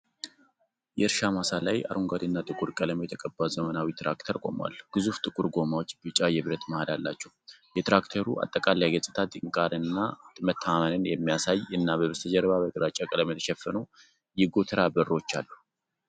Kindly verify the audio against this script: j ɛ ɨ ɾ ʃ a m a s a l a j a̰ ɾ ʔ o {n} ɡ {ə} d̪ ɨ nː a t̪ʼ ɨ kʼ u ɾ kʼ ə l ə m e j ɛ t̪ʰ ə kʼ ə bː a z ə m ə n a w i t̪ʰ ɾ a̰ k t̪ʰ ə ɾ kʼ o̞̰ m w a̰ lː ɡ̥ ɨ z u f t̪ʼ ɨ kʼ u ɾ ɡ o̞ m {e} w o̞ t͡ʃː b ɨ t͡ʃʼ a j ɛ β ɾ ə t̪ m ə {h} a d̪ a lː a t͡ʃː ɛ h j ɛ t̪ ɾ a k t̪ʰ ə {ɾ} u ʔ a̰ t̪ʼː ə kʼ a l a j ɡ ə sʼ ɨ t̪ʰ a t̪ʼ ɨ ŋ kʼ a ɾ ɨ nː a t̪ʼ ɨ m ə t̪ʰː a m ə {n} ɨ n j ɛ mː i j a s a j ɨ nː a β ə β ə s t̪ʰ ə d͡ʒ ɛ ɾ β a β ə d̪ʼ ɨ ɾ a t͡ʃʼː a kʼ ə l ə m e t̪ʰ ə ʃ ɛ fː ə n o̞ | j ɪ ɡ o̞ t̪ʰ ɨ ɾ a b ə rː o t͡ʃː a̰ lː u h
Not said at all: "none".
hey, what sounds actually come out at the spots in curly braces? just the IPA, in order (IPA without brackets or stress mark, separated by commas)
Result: ŋ, a, a, h, ɾ, n